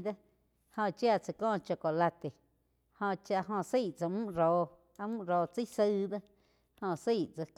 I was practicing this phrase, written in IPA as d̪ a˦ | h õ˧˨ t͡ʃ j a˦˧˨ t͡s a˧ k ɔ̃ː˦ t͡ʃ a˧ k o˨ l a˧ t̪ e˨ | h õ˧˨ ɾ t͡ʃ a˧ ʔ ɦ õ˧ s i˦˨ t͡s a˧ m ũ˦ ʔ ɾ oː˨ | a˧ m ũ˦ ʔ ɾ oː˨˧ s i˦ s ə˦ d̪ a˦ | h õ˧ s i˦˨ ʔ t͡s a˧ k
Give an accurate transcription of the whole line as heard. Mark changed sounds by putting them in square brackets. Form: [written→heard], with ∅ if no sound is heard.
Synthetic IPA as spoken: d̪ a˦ | h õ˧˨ t͡ʃ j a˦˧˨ t͡s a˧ k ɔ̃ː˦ t͡ʃ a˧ k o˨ l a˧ t̪ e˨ | h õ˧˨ [ɾ→∅] t͡ʃ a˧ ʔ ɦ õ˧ s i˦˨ t͡s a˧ m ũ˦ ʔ ɾ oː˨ | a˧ m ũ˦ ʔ ɾ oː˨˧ [s→t͡s] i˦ s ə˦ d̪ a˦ | h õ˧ s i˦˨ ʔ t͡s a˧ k